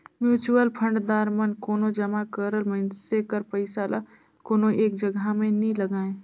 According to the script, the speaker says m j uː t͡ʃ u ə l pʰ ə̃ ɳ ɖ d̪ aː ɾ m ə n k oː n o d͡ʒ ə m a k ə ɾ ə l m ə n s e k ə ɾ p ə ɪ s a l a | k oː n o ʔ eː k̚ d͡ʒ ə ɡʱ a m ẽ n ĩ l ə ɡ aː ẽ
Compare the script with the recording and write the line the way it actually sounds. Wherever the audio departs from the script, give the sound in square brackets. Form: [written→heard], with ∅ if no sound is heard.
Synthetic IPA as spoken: m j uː t͡ʃ u ə l pʰ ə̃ ɳ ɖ d̪ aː ɾ m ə n k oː n o d͡ʒ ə m a k ə ɾ ə l m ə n s e k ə ɾ p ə ɪ s a l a | k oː n o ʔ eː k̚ d͡ʒ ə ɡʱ a m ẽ n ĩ l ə ɡ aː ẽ